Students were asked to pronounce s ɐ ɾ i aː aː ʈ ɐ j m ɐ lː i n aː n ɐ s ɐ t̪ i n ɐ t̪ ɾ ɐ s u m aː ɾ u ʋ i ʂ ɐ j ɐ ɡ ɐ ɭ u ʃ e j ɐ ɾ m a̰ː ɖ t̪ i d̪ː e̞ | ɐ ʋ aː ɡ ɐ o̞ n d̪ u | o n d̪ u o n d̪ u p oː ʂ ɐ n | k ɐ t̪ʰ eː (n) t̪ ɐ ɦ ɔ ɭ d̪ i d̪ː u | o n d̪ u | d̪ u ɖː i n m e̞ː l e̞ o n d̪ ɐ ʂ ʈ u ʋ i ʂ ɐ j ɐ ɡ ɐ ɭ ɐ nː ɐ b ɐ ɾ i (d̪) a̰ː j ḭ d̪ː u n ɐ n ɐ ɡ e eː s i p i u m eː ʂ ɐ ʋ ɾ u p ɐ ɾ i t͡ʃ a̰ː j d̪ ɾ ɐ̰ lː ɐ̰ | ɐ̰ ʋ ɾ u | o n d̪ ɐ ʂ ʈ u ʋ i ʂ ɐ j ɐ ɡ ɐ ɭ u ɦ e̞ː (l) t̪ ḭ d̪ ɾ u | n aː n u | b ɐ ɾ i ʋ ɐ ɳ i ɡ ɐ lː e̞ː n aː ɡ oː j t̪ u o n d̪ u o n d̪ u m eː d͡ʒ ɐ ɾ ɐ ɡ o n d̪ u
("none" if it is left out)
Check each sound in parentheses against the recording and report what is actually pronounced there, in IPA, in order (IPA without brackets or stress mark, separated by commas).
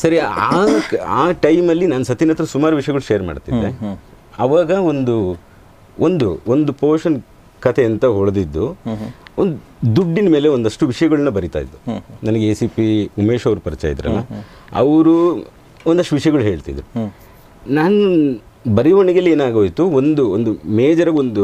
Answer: n, t̪, ɭ